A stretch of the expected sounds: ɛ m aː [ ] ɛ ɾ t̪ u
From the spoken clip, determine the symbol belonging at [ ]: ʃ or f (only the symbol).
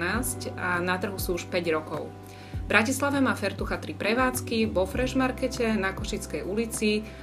f